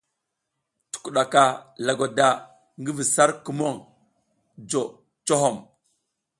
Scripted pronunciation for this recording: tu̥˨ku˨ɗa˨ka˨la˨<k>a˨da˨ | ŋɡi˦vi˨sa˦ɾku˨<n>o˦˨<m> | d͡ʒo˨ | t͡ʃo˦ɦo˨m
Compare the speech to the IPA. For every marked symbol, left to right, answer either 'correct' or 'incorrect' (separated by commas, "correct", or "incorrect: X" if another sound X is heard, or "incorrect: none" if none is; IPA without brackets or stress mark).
incorrect: ɡ, incorrect: m, incorrect: ŋ